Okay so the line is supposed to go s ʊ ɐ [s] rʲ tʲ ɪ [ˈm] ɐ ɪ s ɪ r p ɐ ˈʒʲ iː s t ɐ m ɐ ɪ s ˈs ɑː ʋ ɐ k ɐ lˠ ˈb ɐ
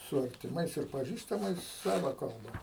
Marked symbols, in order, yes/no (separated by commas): no, yes